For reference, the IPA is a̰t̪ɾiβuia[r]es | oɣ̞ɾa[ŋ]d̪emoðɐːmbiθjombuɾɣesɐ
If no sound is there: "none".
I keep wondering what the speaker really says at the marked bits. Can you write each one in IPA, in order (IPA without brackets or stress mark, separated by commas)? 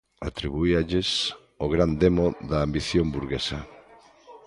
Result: ʎ, n